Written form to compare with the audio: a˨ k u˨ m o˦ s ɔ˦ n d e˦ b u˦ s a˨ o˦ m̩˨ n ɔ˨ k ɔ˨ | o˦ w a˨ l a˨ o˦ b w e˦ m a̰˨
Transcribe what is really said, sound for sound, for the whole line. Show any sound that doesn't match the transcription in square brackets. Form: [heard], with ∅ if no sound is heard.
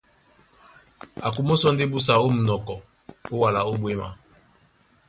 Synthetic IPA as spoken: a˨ k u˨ m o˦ s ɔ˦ n d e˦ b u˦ s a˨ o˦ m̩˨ n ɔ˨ k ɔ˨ | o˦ w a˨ l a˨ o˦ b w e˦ m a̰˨